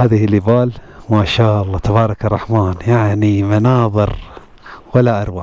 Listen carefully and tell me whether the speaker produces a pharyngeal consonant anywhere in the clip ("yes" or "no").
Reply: yes